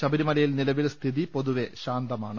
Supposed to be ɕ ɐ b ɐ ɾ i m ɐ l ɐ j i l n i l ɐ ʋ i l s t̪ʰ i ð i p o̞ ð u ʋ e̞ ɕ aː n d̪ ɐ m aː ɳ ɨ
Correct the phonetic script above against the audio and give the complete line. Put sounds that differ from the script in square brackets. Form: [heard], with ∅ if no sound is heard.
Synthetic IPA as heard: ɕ ɐ b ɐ ɾ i m ɐ l ɐ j i l n i l ɐ ʋ i l s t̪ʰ i ð i p o̞ ð u ʋ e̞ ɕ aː n d̪ ɐ m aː ɳ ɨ